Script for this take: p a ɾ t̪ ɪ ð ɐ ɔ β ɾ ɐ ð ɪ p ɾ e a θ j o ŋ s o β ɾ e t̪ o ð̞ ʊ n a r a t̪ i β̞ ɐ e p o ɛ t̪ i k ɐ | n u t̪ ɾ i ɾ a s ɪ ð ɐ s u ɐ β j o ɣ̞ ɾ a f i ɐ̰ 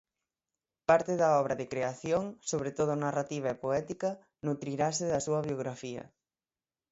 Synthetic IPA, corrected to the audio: p a ɾ t̪ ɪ ð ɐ ɔ β ɾ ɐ ð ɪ k ɾ e a θ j o ŋ s o β ɾ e t̪ o ð̞ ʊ n a r a t̪ i β̞ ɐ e p o ɛ t̪ i k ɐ | n u t̪ ɾ i ɾ a s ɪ ð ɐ s u ɐ β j o ɣ̞ ɾ a f i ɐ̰